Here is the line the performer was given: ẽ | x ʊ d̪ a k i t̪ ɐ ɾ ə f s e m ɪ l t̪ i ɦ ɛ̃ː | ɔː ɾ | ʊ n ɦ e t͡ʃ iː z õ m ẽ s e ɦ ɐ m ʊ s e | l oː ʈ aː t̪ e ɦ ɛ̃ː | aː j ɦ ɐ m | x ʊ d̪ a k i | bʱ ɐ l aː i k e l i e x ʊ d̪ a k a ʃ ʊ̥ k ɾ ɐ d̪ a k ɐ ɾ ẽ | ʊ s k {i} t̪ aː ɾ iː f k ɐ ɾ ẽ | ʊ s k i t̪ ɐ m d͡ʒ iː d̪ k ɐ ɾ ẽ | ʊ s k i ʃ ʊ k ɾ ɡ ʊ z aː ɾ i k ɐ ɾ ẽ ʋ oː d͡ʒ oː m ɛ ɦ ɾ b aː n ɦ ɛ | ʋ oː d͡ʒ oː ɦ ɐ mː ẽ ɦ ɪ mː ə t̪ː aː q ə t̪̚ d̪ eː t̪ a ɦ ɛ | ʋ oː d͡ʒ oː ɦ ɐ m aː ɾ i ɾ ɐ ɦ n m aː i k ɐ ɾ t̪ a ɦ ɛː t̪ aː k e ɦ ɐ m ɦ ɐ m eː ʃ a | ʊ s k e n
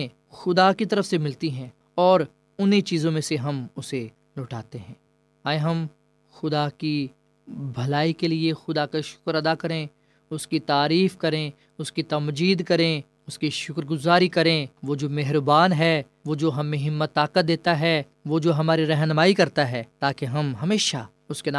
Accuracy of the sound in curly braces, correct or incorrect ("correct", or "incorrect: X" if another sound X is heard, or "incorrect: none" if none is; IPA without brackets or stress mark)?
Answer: correct